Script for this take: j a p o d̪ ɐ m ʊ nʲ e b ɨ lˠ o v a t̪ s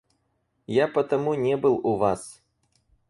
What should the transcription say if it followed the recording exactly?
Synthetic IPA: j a p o t̪ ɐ m u nʲ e b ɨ lˠ u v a s